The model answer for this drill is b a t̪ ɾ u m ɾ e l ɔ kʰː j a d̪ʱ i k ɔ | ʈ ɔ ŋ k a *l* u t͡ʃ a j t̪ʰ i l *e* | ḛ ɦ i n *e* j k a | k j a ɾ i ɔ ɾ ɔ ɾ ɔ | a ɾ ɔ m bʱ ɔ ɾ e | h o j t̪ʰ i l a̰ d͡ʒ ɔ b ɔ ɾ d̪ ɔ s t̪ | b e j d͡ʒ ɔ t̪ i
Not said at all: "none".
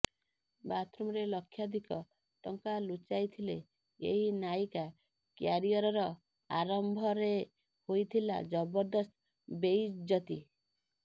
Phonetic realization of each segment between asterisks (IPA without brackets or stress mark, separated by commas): l, e, a